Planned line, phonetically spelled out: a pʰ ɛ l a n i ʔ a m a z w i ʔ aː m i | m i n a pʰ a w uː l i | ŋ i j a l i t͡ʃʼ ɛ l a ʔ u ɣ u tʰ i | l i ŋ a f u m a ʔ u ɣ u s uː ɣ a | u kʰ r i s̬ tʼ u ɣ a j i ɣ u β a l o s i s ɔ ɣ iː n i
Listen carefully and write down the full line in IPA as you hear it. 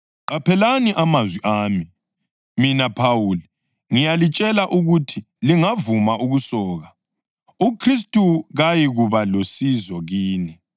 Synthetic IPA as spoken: a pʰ ɛ l a n i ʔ a m a z w i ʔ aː m i | m i n a pʰ a w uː l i | ŋ i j a l i t͡ʃʼ ɛ l a ʔ u ɣ u tʰ i | l i ŋ a v u m a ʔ u ɣ u s ɔː ɣ a | u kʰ r i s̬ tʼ u ɣ a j i ɣ u β a l o s i z ɔ ɣ iː n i